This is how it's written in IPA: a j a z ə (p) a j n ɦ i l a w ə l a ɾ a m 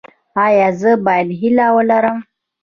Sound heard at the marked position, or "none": b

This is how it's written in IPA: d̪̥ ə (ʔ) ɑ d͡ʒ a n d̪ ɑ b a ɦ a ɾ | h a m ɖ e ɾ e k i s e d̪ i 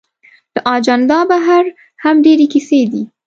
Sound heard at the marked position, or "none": ʔ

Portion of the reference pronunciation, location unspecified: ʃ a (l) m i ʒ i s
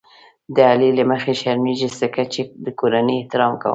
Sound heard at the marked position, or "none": ɾ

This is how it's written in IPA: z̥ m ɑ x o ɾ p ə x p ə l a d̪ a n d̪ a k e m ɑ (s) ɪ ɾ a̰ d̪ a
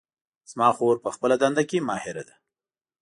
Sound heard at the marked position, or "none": h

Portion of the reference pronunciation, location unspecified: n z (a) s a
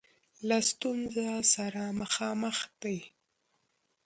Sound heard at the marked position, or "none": a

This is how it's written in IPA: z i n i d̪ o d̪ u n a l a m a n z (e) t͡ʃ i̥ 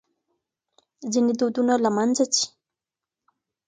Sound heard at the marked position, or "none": a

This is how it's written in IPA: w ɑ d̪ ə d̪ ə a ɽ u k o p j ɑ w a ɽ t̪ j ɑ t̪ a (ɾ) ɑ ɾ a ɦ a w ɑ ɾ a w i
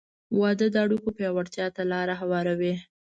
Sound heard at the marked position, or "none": l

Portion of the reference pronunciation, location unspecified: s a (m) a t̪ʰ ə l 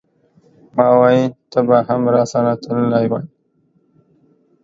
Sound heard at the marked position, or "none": n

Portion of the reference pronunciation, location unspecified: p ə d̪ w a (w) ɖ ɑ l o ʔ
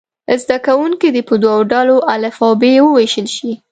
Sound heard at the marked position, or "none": w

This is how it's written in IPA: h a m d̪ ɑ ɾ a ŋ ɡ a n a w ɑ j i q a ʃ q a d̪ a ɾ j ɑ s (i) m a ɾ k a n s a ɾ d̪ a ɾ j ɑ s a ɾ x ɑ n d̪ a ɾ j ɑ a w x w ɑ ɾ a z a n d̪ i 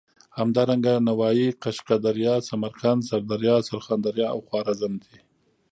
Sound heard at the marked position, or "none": a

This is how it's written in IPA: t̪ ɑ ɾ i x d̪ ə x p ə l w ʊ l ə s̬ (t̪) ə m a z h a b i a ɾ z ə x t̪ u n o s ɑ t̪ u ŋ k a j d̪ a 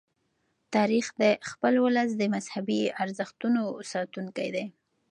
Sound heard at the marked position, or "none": d̪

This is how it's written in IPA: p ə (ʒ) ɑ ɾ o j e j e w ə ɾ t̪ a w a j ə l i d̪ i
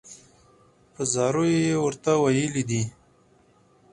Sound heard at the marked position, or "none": z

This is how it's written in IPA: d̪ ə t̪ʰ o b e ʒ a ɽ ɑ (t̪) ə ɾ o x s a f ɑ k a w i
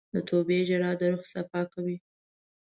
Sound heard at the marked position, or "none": d̪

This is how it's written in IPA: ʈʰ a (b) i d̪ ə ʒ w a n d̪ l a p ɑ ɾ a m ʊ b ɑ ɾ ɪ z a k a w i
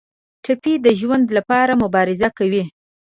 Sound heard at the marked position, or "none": p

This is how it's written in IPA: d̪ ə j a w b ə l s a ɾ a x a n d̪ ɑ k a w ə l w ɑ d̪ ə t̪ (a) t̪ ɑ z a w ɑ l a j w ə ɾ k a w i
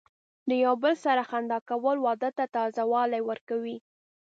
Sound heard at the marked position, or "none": a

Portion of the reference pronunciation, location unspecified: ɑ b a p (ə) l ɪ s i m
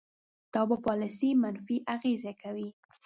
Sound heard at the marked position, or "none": ɑ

